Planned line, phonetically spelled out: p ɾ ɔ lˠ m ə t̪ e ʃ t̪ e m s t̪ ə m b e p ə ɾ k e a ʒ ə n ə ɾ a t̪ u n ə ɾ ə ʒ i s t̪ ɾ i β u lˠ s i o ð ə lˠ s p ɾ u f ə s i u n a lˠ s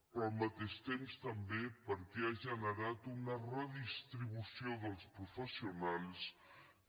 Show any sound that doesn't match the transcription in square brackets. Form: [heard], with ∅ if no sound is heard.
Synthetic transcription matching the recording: p ɾ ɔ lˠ m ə t̪ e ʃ t̪ e m s t̪ ə m b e p ə ɾ k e a ʒ ə n ə ɾ a t̪ u n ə [r] ə [ð] i s t̪ ɾ i β u [∅] s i o ð ə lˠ s p ɾ u f ə s i u n a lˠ s

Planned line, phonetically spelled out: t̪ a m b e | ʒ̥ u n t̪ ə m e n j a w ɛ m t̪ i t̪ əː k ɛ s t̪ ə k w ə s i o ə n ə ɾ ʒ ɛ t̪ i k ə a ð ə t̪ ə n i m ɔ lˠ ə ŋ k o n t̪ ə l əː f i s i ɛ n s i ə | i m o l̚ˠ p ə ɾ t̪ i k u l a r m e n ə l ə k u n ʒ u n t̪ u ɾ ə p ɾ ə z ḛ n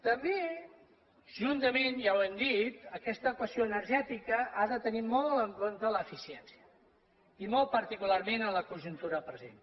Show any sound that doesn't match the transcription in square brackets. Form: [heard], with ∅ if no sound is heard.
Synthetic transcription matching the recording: t̪ [ə] m b e | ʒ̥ u n t̪ ə m e n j a w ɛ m [d̪] i t̪ [ə] k ɛ s t̪ ə k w ə s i o ə n ə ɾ ʒ ɛ t̪ i k ə a ð ə t̪ ə n i m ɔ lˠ ə ŋ k o n t̪ ə l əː f i s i ɛ n s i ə | i m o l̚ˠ p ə ɾ t̪ i k u l a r m e n ə l ə k u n ʒ u n t̪ u ɾ ə p ɾ ə z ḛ n

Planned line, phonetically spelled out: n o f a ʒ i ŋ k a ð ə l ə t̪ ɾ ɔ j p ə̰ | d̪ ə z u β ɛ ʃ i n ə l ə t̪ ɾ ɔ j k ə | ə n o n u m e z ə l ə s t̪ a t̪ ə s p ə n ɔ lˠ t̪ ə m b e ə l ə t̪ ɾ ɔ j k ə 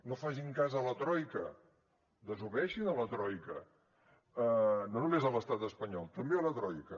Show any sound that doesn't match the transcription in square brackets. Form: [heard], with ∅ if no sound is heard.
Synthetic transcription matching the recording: n o f a ʒ i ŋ k a [z] ə l ə t̪ ɾ ɔ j [k] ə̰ | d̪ ə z u β ɛ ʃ i n ə l ə t̪ ɾ ɔ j k ə | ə n o n u m e z ə l ə s t̪ a t̪ ə s p ə [ɲ] ɔ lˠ t̪ ə m b e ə l ə t̪ ɾ ɔ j k ə

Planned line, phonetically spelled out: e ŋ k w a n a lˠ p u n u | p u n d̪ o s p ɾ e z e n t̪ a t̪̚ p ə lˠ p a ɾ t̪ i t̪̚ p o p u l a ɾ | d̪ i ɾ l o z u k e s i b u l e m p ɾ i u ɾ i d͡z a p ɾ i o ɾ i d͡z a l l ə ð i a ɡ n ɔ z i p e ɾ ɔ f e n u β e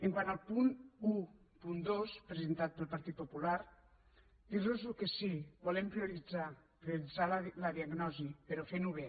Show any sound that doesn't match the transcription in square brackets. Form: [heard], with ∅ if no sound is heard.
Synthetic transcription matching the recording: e ŋ k w a n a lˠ p u n u | p u n d̪ o s p ɾ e z e n t̪ a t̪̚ p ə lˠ p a ɾ t̪ i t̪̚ p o p u l a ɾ | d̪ i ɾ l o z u k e s i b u l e m p ɾ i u ɾ i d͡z a p ɾ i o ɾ i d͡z a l l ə ð i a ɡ n ɔ z i p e ɾ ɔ f e n u β e

